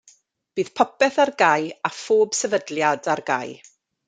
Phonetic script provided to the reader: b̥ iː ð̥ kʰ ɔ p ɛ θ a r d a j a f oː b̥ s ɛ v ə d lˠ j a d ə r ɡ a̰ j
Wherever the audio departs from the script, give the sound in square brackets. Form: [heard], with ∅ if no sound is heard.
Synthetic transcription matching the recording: b̥ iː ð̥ [pʰ] ɔ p ɛ θ a r [ɡ] a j a f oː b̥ s ɛ v ə d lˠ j a d [a] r ɡ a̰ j